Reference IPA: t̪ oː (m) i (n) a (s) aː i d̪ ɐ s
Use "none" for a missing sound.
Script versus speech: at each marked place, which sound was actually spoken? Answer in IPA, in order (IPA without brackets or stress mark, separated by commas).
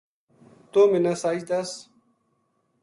m, n, s